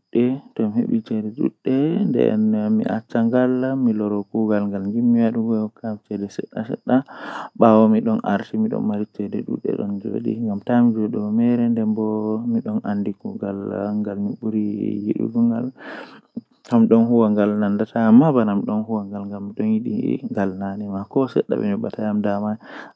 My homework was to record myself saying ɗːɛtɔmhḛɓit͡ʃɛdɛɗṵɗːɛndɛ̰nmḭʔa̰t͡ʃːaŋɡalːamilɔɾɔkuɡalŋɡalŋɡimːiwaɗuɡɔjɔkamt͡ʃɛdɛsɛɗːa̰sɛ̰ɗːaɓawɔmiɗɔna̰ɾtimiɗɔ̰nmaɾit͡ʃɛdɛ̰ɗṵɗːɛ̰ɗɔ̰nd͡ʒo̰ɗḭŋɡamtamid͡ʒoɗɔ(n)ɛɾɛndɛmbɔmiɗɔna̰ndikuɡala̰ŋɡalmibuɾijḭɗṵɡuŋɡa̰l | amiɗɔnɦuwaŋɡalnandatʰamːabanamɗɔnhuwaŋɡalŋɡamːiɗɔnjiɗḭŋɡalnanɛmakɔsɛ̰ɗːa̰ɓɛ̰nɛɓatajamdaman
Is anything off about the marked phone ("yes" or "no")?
yes